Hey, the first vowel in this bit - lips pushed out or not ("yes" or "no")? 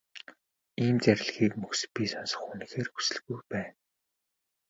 no